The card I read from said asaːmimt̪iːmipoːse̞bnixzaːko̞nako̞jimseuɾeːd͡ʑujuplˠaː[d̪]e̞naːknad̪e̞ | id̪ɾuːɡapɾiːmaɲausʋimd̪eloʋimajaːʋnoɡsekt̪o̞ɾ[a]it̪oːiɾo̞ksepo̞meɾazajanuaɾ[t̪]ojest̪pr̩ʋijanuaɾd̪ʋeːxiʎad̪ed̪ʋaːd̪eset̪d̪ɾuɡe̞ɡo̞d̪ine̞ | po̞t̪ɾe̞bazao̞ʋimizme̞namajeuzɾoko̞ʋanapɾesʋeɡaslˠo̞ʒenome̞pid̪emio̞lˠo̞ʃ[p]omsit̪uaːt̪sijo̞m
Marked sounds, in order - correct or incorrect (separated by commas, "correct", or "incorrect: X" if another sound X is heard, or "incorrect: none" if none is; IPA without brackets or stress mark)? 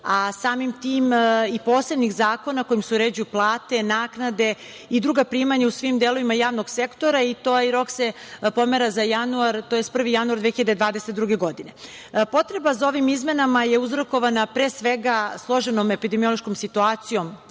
incorrect: t̪, correct, correct, incorrect: k